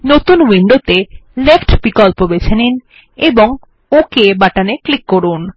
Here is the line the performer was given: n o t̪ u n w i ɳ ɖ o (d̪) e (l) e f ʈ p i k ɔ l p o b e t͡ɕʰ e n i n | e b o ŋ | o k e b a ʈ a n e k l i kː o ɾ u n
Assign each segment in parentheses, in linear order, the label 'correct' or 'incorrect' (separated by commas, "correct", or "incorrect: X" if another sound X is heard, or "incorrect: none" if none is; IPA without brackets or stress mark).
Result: incorrect: t̪, correct